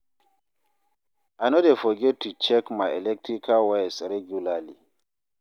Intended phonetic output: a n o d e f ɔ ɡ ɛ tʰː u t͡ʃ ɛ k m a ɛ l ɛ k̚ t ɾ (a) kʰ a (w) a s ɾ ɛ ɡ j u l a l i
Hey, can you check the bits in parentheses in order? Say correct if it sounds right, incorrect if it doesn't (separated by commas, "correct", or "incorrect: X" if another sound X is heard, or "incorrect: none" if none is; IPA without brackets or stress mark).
incorrect: i, correct